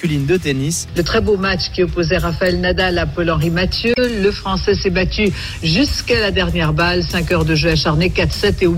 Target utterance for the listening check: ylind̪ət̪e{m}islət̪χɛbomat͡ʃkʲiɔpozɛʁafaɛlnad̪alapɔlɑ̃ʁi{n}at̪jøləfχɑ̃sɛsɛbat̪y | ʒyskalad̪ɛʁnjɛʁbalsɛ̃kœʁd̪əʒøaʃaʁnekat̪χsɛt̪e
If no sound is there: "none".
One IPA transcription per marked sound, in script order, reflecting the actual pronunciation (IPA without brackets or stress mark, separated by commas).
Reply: n, m